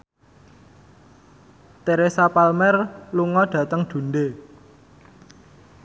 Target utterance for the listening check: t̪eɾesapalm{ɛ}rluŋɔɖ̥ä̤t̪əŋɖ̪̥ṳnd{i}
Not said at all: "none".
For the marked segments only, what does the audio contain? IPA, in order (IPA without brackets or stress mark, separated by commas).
ɛ, e